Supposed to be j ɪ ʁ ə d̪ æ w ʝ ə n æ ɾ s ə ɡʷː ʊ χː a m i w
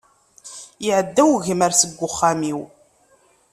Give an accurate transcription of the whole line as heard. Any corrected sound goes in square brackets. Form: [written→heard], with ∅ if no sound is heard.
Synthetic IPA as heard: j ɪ [ʁ→ʕ] ə [d̪→d̪ː] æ w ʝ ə [n→m] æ ɾ s ə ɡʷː ʊ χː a m i w